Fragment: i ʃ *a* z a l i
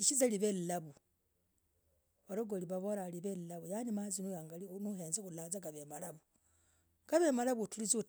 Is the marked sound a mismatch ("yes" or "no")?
yes